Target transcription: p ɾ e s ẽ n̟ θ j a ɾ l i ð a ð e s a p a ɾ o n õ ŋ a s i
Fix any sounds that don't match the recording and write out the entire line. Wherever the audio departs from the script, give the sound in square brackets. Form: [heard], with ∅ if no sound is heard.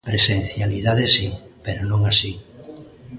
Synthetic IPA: p ɾ e s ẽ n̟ θ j a [∅] l i ð a ð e s [i] p [e] ɾ o n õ ŋ a s i